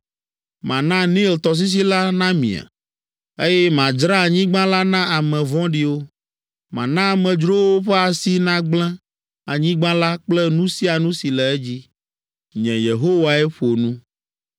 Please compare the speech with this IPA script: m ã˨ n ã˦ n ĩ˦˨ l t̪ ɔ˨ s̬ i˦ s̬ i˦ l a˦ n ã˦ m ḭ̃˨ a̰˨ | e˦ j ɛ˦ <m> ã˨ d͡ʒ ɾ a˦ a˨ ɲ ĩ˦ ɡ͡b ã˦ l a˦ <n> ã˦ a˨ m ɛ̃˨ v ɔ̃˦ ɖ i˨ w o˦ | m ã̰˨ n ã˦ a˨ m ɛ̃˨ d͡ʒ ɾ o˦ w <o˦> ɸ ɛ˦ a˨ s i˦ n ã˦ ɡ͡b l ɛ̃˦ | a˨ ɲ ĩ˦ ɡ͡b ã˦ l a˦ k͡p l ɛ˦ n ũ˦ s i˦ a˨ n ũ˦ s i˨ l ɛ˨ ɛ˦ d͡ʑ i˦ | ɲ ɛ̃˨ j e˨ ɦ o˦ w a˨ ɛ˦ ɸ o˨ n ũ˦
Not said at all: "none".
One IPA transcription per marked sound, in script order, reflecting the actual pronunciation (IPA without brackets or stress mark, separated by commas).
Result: m, n, o˦